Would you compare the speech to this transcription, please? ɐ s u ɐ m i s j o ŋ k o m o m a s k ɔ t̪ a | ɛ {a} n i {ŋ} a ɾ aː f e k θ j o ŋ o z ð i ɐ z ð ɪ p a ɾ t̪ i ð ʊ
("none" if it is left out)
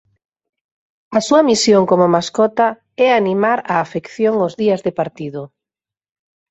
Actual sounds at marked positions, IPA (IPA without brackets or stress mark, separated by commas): a, m